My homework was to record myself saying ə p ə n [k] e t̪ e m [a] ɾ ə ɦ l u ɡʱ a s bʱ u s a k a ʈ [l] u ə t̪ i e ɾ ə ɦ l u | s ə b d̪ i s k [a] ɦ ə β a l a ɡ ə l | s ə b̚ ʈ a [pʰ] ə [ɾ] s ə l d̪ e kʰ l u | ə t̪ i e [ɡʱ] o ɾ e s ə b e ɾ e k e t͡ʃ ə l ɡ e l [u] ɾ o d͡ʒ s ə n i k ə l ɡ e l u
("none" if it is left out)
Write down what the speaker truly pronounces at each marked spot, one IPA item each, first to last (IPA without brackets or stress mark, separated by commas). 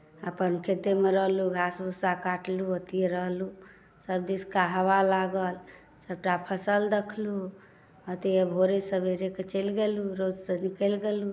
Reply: kʰ, e, l, a, pʰ, none, bʱ, u